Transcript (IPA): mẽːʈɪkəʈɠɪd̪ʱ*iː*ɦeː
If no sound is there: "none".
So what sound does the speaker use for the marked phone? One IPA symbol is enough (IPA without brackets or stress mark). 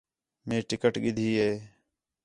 iː